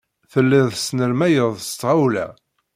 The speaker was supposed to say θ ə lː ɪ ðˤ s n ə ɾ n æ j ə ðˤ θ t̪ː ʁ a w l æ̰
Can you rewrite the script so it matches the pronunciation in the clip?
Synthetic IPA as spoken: θ ə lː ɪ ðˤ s n ə ɾ m æ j ə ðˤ s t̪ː ʁ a w l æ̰